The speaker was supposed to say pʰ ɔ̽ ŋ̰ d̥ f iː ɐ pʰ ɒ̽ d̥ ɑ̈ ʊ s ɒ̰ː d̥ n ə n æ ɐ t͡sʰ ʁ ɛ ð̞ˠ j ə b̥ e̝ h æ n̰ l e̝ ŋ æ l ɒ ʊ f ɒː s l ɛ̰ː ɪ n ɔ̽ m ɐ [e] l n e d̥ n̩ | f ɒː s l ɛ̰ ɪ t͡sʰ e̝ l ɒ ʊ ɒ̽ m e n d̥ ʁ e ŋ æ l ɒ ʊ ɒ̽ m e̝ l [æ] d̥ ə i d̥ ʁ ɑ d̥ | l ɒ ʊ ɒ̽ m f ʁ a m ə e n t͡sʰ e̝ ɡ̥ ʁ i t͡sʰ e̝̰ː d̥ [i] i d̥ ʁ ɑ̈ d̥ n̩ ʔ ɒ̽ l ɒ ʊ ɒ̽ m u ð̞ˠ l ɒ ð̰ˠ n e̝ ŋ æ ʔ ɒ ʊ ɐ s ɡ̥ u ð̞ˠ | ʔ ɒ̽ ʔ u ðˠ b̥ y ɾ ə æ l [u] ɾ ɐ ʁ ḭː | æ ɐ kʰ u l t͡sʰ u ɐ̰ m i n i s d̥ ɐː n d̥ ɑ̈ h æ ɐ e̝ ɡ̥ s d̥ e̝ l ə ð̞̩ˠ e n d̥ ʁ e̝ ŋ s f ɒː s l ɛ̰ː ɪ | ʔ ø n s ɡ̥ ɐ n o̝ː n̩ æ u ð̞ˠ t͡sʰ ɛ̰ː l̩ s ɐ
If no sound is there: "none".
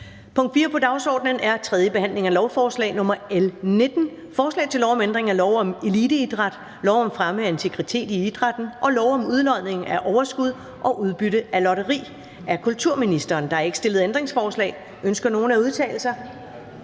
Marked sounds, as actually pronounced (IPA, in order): e, i, i, ɒ

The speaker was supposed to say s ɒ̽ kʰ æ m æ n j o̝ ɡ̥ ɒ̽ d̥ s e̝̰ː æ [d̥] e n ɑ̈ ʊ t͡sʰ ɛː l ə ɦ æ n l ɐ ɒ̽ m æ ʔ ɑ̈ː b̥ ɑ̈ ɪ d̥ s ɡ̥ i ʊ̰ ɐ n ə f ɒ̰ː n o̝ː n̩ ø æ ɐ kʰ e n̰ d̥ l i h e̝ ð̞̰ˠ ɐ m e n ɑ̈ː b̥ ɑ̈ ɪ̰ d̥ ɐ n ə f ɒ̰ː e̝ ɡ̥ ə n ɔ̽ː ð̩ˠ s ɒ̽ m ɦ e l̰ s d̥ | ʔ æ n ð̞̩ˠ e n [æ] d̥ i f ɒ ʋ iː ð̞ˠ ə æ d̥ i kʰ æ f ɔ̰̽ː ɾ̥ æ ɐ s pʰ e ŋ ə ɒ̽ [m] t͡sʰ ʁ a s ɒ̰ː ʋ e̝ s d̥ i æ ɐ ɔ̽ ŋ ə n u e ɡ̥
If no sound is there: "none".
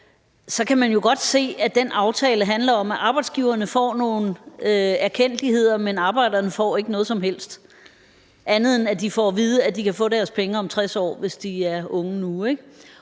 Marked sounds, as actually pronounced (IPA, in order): d̥, æ, m

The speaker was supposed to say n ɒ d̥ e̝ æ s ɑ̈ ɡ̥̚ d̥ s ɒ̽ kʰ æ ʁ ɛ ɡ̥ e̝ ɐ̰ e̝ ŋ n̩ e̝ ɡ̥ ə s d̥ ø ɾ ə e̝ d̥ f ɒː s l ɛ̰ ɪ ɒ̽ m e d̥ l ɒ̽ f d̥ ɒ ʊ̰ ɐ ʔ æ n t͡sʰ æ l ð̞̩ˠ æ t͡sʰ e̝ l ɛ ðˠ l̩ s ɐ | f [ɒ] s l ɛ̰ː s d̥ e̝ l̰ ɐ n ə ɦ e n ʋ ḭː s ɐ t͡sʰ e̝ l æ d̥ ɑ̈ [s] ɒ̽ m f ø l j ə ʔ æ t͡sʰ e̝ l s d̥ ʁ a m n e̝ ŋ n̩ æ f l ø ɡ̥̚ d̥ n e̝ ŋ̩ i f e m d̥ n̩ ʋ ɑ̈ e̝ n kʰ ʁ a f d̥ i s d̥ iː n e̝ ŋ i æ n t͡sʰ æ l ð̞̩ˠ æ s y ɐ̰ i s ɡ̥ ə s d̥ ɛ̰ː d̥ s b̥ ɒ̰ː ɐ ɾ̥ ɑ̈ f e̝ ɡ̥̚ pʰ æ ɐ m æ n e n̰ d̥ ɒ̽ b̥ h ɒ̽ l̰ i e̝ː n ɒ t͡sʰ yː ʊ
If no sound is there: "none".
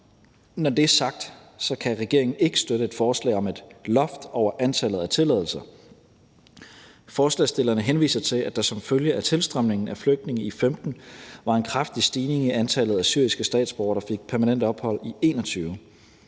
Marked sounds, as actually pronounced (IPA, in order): ɒː, s

